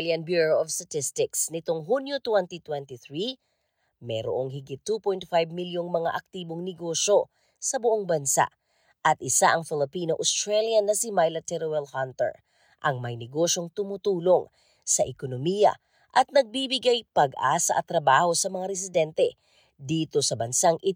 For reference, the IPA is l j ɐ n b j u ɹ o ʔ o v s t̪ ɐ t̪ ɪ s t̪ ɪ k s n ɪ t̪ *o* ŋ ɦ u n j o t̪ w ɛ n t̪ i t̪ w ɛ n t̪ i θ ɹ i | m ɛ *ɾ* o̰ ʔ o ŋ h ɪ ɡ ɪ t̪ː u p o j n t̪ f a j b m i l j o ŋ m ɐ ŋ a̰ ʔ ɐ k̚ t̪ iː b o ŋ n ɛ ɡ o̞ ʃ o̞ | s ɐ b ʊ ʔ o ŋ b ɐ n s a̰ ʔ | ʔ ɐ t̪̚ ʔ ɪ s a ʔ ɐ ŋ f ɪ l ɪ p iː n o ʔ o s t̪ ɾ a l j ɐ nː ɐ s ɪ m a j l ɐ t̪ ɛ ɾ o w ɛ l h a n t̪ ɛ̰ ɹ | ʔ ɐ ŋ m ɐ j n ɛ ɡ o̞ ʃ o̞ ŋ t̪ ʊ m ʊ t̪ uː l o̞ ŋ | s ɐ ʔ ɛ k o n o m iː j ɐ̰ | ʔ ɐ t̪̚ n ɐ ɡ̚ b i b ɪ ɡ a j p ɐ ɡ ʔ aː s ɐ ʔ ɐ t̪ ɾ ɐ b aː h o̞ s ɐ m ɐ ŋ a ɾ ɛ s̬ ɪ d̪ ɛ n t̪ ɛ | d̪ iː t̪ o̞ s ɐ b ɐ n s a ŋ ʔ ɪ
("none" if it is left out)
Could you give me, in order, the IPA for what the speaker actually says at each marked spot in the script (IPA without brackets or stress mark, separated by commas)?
o, ɾ